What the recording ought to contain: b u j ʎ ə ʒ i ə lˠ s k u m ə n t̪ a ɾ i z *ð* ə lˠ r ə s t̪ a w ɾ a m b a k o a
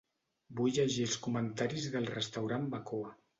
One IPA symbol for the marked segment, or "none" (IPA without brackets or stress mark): ð